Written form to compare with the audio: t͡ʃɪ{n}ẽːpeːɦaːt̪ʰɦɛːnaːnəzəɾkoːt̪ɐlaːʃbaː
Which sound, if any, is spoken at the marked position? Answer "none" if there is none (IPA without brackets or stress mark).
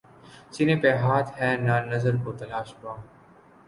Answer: n